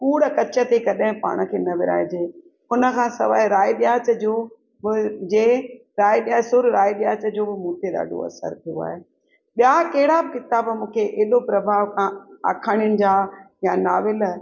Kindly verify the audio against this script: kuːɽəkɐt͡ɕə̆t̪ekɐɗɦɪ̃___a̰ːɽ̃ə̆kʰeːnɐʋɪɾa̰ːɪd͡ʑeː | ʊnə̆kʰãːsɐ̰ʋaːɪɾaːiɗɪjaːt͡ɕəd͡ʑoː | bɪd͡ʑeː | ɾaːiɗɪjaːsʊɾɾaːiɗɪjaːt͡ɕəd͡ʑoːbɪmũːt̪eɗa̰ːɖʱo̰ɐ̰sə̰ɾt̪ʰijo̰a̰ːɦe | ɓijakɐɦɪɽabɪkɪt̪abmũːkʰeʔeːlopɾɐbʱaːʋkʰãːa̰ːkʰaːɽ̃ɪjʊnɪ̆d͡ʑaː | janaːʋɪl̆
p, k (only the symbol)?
p